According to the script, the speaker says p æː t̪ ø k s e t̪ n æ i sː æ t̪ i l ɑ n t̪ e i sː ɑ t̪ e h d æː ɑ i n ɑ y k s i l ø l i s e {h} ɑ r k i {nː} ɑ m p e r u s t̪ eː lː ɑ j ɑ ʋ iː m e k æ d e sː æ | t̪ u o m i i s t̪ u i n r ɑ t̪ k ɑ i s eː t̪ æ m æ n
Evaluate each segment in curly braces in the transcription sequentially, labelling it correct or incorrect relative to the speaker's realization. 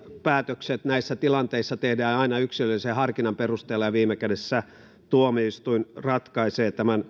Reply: correct, incorrect: n

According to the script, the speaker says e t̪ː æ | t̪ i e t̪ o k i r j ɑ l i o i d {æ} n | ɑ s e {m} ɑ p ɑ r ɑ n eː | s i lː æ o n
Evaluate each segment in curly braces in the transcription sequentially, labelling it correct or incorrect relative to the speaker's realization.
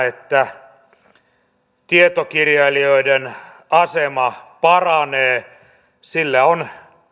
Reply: incorrect: e, correct

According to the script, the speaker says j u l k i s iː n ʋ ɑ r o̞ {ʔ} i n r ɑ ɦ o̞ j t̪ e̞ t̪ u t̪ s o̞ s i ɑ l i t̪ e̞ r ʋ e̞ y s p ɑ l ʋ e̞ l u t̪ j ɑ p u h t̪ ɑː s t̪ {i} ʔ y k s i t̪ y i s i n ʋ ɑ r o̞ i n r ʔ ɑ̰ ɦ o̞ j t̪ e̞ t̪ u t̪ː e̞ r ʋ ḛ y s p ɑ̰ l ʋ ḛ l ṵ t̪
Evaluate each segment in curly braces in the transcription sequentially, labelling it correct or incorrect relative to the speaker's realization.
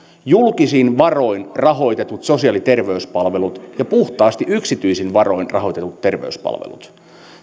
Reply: incorrect: none, correct

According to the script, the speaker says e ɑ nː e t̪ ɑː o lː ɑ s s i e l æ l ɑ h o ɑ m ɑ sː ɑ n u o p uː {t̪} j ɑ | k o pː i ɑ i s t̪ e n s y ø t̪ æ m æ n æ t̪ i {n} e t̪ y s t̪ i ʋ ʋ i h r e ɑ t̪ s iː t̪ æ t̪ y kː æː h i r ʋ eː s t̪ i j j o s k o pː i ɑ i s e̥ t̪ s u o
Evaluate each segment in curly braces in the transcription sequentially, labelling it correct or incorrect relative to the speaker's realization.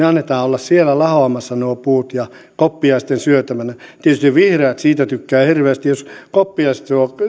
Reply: correct, incorrect: none

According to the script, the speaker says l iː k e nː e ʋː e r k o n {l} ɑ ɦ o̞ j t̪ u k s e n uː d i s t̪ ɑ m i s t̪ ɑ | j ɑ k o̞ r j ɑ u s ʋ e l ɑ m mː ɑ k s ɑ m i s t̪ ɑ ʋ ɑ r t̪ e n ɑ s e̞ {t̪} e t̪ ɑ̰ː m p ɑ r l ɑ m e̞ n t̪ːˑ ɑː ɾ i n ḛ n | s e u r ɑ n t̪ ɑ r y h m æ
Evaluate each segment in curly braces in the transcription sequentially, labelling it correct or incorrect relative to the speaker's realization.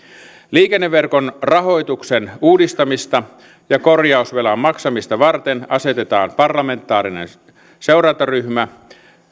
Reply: incorrect: r, correct

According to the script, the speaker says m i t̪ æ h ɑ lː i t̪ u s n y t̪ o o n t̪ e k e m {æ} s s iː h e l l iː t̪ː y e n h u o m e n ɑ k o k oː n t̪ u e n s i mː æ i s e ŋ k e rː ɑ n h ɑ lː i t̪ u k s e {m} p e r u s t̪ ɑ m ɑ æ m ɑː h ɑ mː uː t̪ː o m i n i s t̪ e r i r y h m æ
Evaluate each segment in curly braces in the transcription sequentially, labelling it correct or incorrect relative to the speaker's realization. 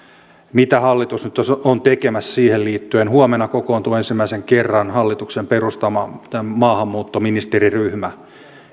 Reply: correct, correct

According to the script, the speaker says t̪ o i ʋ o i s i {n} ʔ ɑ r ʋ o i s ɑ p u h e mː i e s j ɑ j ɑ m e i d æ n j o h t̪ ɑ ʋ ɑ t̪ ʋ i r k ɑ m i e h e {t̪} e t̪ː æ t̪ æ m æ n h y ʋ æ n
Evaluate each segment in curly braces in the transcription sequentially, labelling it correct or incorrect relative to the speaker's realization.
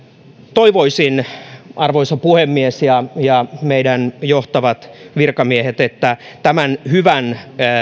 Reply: correct, correct

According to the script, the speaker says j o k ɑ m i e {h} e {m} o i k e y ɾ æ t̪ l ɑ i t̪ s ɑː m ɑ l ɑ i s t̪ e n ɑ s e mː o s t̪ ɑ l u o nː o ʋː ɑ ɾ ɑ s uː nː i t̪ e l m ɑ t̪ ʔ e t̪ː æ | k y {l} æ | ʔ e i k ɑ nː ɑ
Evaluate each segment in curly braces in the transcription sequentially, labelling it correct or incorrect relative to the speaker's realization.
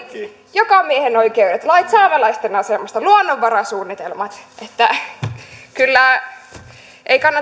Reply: correct, incorrect: n, incorrect: lː

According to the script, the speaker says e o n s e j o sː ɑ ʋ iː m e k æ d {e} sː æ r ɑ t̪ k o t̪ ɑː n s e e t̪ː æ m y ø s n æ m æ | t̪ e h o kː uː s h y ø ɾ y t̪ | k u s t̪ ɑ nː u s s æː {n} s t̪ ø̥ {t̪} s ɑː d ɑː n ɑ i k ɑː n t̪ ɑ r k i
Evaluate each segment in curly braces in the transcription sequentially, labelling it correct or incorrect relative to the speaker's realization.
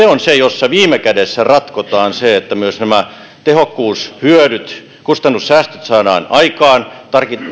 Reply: correct, incorrect: none, correct

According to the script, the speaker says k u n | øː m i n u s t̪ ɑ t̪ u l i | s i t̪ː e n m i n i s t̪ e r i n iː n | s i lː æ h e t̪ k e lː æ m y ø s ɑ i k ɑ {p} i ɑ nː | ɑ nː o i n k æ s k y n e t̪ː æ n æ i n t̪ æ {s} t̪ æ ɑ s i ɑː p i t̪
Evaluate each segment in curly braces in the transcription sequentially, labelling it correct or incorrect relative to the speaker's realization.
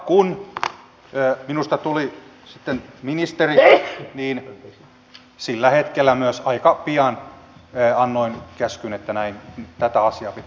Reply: correct, incorrect: none

